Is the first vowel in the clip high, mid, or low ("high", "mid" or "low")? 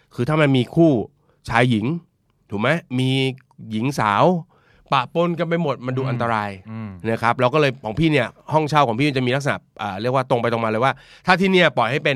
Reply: high